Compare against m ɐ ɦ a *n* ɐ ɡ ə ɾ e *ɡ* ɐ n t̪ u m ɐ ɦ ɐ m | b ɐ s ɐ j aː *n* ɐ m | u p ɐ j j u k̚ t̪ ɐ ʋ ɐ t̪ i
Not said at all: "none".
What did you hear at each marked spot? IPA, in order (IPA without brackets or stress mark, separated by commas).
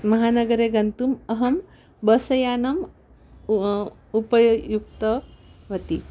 n, ɡ, n